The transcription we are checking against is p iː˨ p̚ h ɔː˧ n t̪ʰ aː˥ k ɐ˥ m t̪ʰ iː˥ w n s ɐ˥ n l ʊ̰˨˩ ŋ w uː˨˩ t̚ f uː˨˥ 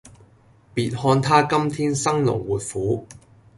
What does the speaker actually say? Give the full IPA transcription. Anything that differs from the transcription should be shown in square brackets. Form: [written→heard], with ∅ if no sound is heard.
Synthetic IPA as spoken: p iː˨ [p̚→t̚] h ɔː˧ n t̪ʰ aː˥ k ɐ˥ m t̪ʰ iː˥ [w→∅] n s ɐ˥ [n→ŋ] l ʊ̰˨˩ ŋ w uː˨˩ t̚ f uː˨˥